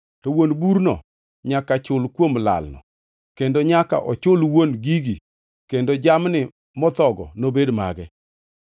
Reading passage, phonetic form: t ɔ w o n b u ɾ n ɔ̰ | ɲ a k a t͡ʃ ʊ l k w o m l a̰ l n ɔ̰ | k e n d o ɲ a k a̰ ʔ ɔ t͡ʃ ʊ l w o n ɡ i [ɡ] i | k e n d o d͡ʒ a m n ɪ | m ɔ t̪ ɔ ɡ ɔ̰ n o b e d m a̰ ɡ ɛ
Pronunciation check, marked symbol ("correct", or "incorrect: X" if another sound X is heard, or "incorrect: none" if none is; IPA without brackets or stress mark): correct